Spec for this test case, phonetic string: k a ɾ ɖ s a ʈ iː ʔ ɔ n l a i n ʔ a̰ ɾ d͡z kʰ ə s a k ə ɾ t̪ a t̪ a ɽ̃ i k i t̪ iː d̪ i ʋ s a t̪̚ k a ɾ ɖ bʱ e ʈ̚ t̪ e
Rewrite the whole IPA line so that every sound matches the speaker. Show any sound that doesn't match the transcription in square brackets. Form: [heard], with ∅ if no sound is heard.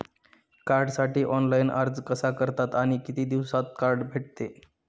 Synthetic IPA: k a ɾ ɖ s a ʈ iː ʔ ɔ n l a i n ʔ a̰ ɾ d͡z [k] ə s a k ə ɾ t̪ a t̪ a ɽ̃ i k i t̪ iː d̪ i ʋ s a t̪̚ k a ɾ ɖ bʱ e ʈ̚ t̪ e